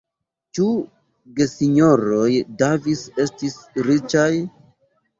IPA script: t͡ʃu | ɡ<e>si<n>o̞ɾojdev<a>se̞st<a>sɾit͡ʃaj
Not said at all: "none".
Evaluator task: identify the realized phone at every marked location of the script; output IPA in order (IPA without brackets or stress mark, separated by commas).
e, ɲ, i, i